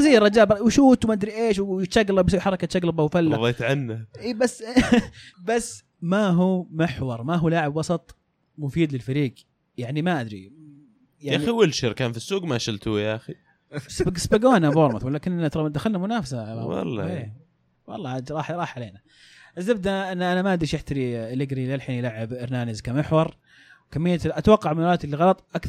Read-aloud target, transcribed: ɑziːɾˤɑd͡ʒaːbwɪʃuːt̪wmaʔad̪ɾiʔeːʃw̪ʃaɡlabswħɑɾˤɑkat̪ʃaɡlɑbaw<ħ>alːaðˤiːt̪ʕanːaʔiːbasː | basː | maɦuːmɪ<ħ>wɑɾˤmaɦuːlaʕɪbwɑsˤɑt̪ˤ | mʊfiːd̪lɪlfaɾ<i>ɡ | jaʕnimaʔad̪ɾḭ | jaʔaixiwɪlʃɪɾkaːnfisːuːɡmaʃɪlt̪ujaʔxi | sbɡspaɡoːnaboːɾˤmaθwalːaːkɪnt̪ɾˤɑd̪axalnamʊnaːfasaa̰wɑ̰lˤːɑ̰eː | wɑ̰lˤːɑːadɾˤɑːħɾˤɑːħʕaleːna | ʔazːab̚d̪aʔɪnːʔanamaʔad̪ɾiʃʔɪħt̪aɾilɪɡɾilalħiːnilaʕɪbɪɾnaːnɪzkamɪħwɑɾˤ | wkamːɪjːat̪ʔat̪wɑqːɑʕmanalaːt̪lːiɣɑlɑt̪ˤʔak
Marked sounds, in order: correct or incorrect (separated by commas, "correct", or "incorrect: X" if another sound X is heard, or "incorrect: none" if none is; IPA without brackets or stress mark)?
incorrect: f, correct, incorrect: iː